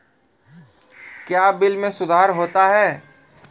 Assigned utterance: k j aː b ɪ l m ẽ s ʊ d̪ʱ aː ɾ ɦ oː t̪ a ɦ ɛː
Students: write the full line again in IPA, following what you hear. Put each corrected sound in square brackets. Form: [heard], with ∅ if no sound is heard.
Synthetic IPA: k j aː b ɪ l m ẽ s ʊ d̪ʱ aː ɾ ɦ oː t̪ a ɦ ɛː